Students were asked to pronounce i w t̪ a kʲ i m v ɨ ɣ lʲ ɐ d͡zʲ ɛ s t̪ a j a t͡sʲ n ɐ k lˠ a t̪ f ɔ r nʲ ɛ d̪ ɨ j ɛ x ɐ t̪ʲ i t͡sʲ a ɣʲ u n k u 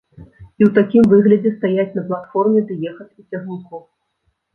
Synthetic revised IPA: i w t̪ a kʲ i m v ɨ ɣ lʲ ɐ d͡zʲ ɛ s t̪ a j a t͡sʲ n ɐ p lˠ a t̪ f ɔ r mʲ ɛ d̪ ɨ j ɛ x ɐ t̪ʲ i t͡sʲ a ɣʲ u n k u